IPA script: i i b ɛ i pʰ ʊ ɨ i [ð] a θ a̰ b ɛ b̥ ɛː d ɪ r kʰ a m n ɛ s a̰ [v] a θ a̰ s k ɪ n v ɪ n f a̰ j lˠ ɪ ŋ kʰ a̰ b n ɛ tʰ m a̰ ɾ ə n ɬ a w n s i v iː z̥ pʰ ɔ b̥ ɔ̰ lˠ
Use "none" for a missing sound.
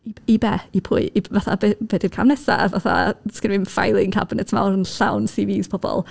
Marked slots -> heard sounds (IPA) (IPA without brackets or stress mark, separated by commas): v, v